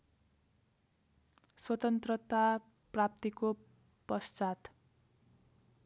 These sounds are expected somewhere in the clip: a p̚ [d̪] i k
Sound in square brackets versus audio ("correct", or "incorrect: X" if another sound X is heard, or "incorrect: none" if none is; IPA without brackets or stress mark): incorrect: t̪